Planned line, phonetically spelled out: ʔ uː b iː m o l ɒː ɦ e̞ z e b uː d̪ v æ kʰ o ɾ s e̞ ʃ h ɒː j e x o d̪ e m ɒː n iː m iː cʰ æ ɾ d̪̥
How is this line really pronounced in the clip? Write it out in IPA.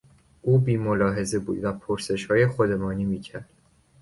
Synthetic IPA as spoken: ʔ uː b iː m o l ɒː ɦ e̞ z e b uː d̪ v æ pʰ o ɾ s e̞ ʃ h ɒː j e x o d̪ e m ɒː n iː m iː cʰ æ ɾ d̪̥

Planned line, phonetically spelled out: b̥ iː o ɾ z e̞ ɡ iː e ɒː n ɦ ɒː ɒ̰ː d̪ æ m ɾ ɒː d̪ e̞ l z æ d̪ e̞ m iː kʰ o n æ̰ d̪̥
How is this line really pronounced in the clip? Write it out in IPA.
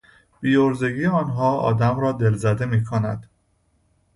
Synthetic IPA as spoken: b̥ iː o ɾ z e̞ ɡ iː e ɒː n ɦ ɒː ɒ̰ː d̪ æ m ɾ ɒː d̪ e̞ l z æ d̪ e̞ m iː kʰ o n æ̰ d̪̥

